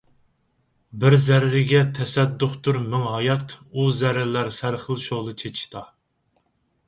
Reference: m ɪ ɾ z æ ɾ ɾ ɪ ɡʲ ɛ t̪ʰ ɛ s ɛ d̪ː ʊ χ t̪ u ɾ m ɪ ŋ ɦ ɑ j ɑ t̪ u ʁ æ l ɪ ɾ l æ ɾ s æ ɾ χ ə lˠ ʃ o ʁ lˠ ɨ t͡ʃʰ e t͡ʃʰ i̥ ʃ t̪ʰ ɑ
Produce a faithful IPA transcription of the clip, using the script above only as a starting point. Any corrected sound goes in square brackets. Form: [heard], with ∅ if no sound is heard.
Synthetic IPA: [b] ɪ ɾ z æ ɾ ɾ ɪ ɡʲ ɛ t̪ʰ ɛ s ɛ d̪ː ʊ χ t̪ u ɾ m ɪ ŋ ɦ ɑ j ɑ t̪ u [z] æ [ɾ] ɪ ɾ l æ ɾ s æ ɾ χ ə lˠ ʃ o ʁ lˠ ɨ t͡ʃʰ e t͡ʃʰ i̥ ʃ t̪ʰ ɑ